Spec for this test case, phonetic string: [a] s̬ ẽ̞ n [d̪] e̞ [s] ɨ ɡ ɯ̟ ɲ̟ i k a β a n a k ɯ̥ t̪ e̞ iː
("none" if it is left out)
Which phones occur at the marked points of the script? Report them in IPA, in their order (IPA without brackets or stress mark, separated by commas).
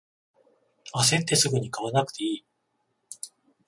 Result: a, t̪, s